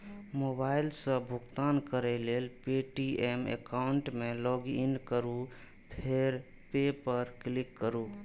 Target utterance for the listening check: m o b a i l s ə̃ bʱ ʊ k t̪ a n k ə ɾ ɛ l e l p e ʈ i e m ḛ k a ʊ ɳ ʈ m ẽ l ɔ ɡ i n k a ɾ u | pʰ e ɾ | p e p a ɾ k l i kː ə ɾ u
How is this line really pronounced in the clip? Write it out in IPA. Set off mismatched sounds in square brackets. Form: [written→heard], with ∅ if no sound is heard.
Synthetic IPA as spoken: m o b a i l s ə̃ bʱ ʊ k t̪ a n k ə ɾ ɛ l e l p e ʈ i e m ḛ k a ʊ ɳ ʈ m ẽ l ɔ ɡ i n k [a→ə] ɾ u | pʰ e ɾ | p e p [a→ə] ɾ k l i kː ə ɾ u